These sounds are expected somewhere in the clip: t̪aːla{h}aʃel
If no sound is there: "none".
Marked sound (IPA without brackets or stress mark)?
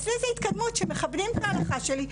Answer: χ